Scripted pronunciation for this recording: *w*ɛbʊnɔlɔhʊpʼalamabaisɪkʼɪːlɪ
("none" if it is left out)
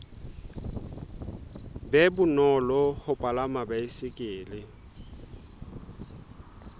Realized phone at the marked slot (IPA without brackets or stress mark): b